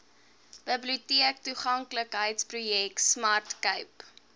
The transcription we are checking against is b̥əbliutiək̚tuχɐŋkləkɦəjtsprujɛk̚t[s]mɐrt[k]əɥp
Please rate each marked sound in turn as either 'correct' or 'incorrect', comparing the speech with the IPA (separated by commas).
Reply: correct, correct